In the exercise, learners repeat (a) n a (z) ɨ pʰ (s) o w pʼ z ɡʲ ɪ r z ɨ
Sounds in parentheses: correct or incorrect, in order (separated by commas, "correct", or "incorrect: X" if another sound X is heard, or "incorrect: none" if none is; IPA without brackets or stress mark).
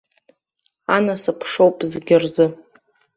correct, incorrect: s, incorrect: ʂ